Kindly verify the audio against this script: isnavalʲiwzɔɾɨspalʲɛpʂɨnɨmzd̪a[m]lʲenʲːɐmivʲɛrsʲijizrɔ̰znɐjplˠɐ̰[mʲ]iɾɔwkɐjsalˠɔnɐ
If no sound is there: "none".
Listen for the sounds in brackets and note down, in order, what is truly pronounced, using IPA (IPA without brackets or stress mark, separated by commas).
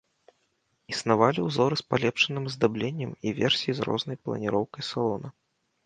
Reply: b, nʲ